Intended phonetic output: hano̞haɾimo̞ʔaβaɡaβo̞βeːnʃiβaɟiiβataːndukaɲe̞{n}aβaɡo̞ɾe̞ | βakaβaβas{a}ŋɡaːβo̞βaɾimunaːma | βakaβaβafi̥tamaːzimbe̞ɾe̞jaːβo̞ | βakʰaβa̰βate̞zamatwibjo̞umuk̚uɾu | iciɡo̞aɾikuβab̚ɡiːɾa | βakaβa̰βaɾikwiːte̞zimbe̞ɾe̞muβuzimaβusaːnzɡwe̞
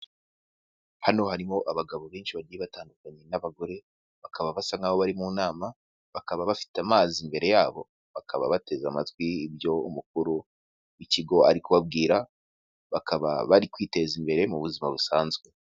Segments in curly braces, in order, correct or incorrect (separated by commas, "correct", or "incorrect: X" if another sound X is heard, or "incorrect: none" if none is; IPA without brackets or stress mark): correct, correct